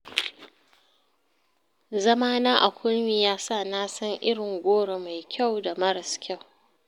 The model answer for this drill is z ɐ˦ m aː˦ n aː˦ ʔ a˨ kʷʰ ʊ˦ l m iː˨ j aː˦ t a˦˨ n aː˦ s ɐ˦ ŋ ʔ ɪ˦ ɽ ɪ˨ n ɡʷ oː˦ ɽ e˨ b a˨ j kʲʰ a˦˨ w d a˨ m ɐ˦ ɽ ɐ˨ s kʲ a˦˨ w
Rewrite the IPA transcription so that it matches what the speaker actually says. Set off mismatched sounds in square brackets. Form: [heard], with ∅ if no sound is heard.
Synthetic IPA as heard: z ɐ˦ m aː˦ n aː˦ ʔ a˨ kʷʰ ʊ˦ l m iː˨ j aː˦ [s] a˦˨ n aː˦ s ɐ˦ ŋ ʔ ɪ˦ ɽ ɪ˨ [ŋ] ɡʷ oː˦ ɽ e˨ [m] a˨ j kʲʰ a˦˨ w d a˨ m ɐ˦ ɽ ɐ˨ s kʲ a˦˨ w

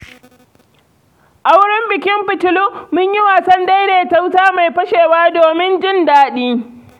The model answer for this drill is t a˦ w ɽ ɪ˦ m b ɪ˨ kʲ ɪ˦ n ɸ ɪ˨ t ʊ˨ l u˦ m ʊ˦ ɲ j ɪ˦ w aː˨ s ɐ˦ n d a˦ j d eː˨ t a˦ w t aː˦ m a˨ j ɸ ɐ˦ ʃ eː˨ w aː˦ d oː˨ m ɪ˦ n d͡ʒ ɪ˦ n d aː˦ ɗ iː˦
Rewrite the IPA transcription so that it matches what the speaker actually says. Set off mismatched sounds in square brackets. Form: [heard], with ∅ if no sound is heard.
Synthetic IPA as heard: [ʔ] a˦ w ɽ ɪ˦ m b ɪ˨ kʲ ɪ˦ [m] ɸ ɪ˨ t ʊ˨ l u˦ m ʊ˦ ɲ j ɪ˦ w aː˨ s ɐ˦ n d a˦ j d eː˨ t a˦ w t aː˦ m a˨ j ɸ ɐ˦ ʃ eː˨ w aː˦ d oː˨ m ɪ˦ n d͡ʒ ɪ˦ n d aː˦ ɗ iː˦

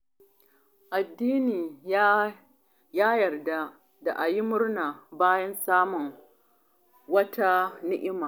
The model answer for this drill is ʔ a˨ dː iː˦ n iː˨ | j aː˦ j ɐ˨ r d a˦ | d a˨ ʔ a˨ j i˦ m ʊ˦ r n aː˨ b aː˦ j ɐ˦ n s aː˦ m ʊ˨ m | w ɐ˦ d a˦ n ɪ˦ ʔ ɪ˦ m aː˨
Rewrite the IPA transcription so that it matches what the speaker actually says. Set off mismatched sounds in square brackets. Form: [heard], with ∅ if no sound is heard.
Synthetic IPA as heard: ʔ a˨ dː iː˦ n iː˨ | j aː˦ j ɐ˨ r d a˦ | d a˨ ʔ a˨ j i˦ m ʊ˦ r n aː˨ b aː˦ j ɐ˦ n s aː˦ m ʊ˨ [ŋ] | w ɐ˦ [t] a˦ n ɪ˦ ʔ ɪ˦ m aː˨

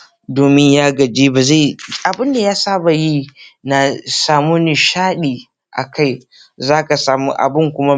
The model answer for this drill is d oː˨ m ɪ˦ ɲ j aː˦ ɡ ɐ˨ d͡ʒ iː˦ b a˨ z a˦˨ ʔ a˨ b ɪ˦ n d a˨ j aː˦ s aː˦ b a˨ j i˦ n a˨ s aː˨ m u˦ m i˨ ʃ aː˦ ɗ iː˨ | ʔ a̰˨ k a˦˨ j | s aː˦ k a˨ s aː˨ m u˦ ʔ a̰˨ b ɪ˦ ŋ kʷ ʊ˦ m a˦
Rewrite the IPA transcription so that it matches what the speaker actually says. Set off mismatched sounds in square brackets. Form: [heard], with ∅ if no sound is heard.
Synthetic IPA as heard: d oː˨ m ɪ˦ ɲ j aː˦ ɡ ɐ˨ d͡ʒ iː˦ b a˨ z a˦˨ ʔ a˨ b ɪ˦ n d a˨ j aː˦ s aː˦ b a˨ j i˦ n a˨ s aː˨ m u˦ [n] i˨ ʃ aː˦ ɗ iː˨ | ʔ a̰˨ k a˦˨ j | [z] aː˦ k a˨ s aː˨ m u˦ ʔ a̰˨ b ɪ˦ ŋ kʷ ʊ˦ m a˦

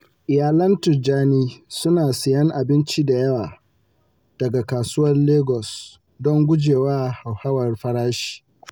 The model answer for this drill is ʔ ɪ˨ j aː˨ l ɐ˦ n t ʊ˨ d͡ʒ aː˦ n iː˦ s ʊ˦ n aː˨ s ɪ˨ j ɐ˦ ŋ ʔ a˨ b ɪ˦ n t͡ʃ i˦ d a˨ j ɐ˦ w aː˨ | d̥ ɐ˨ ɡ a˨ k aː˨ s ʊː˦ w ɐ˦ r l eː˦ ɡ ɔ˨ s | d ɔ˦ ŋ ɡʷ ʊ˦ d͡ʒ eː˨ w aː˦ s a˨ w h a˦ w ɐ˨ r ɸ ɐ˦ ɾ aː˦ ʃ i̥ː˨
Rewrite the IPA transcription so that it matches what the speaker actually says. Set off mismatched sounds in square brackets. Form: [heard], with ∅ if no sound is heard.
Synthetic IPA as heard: ʔ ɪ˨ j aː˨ l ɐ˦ n t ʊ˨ d͡ʒ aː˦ n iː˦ s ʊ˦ n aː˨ s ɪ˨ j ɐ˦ ŋ ʔ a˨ b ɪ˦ n t͡ʃ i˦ d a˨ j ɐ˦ w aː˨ | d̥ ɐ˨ ɡ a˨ k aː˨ s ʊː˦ w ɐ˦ r l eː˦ ɡ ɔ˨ s | d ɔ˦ ŋ ɡʷ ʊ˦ d͡ʒ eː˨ w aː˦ [h] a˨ w h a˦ w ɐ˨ r ɸ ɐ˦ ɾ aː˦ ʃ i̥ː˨

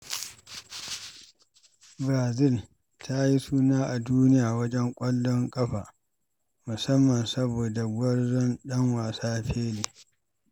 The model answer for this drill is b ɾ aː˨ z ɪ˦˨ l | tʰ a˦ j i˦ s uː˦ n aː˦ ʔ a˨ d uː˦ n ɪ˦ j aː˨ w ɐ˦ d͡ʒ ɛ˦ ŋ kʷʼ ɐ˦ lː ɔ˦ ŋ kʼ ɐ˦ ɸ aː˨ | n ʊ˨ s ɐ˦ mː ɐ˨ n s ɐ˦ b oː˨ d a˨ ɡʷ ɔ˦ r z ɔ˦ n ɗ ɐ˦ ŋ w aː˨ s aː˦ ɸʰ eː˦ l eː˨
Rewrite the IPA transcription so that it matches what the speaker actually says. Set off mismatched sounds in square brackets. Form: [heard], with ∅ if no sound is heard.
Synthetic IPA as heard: b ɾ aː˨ z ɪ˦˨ l | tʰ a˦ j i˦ s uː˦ n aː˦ ʔ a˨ d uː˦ n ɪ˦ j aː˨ w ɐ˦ d͡ʒ ɛ˦ ŋ kʷʼ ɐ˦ lː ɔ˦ ŋ kʼ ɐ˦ ɸ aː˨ | [m] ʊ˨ s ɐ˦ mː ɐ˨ n s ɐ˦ b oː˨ d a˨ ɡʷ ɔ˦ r z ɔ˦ n ɗ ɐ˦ ŋ w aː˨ s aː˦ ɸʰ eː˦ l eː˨

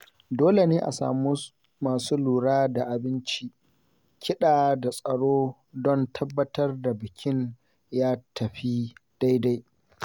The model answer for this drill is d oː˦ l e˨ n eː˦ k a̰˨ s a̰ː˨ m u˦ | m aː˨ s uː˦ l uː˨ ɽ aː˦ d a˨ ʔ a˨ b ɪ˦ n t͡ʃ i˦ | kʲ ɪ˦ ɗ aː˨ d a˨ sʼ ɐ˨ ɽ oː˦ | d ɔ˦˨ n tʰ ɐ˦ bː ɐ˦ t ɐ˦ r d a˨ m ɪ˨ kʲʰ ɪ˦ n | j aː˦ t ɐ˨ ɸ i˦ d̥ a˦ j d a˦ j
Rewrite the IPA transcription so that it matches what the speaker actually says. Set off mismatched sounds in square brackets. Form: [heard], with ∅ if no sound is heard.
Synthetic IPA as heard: d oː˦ l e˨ n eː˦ [ʔ] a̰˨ s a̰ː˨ m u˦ | m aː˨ s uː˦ l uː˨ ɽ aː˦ d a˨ ʔ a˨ b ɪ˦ n t͡ʃ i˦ | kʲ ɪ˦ ɗ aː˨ d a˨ sʼ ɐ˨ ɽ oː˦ | d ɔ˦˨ n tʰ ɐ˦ bː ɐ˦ t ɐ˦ r d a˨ [b] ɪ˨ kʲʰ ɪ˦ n | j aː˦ t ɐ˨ ɸ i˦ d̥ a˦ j d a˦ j

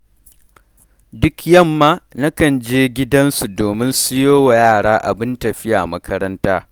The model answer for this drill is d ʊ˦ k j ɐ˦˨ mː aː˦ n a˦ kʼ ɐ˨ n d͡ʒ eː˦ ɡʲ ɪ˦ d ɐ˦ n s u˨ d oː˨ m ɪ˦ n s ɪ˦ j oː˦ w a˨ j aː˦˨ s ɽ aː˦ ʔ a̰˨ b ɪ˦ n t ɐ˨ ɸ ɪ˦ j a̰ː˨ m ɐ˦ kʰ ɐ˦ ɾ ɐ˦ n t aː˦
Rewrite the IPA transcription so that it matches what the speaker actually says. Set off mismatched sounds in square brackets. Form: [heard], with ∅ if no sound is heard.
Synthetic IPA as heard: d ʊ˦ k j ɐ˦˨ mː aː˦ n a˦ [k] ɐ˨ n d͡ʒ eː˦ ɡʲ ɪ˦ d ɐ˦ n s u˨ d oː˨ m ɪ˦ n s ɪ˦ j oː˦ w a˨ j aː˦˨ [∅] ɽ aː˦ ʔ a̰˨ b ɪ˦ n t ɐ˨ ɸ ɪ˦ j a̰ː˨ m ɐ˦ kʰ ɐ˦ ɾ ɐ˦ n t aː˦

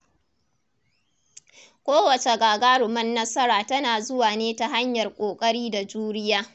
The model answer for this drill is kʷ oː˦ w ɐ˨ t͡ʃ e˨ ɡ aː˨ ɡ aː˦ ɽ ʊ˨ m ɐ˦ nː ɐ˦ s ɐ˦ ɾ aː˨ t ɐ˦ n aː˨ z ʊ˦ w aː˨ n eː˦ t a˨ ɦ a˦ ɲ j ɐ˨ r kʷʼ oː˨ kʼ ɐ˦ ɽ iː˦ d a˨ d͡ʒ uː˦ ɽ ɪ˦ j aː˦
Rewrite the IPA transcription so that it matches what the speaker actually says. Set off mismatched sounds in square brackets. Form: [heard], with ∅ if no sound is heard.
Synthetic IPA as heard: kʷ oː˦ w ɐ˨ t͡ʃ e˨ ɡ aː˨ ɡ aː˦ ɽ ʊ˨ m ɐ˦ nː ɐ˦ s ɐ˦ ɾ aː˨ t ɐ˦ n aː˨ z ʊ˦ w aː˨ n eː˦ t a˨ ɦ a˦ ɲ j ɐ˨ r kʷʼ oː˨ kʼ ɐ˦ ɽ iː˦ d a˨ d͡ʒ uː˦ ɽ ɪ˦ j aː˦

